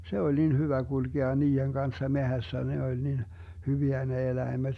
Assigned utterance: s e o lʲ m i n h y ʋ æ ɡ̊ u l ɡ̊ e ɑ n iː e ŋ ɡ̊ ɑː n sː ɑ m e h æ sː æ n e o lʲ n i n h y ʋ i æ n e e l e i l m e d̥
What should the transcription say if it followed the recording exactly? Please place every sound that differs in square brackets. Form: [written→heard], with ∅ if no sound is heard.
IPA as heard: s e o lʲ [m→n] i n h y ʋ æ ɡ̊ u l ɡ̊ e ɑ n iː e ŋ ɡ̊ [ɑː→ɑ] n sː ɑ m e h æ sː æ n e o lʲ n i n h y ʋ i æ n e e l [e→æ] i [l→∅] m e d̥